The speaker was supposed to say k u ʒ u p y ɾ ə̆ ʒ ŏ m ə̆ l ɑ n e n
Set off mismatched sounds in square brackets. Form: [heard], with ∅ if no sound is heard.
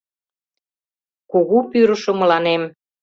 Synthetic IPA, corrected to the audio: k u [ɣ] u p y ɾ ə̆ [ʃ] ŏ m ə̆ l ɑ n e [m]